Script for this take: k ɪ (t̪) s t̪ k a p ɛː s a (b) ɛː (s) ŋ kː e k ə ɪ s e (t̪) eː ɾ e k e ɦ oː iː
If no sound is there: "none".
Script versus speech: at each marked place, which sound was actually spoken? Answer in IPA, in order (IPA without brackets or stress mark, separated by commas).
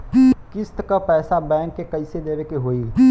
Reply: none, b, none, d̪